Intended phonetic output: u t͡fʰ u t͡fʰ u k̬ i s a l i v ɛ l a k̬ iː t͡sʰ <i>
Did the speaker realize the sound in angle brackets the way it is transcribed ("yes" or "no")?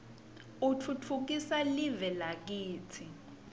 yes